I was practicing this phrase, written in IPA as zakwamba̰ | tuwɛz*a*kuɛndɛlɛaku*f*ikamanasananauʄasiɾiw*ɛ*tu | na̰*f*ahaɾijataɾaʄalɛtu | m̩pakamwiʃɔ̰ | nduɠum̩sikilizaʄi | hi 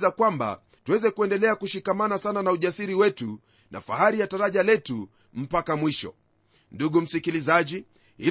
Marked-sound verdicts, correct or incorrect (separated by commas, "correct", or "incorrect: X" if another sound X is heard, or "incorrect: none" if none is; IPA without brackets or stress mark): incorrect: ɛ, incorrect: ʃ, correct, correct